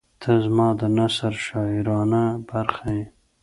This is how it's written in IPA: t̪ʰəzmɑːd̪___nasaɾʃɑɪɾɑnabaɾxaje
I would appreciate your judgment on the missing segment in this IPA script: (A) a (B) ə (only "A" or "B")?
B